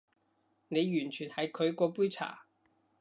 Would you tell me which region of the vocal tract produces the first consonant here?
tongue tip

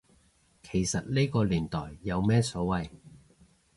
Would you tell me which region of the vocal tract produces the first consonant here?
velum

